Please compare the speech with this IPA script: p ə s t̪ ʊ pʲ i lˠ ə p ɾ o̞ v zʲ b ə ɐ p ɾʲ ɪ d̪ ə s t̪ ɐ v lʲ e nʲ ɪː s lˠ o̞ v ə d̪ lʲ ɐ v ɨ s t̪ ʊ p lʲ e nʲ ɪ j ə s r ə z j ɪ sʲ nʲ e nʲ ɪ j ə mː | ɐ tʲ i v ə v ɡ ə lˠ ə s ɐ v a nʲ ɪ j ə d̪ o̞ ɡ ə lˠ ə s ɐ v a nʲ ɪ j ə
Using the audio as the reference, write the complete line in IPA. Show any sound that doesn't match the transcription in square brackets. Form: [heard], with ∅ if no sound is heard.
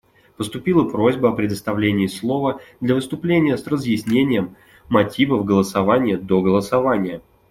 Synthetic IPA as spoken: p ə s t̪ ʊ pʲ i lˠ ə p ɾ o̞ [∅] zʲ b ə ɐ p ɾʲ ɪ d̪ ə s t̪ ɐ v lʲ e nʲ ɪː s lˠ o̞ v ə d̪ lʲ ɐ v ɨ s t̪ ʊ p lʲ e nʲ ɪ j ə s r ə z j ɪ sʲ nʲ e nʲ ɪ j ə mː | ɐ tʲ i v ə v ɡ ə lˠ ə s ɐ v a nʲ ɪ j ə d̪ o̞ ɡ ə lˠ ə s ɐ v a nʲ ɪ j ə